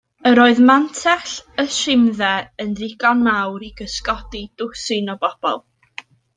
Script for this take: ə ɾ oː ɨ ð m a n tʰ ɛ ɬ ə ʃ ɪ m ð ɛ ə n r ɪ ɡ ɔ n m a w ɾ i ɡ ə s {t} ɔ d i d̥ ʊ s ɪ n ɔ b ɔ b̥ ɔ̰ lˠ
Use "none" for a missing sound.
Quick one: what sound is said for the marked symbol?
k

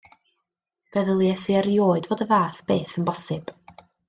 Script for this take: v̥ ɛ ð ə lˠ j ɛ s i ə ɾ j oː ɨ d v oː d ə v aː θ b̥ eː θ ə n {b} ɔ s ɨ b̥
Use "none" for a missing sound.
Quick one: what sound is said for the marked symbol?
b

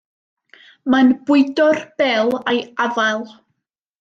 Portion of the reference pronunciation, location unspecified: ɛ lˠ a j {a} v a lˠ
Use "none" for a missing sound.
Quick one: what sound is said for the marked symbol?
a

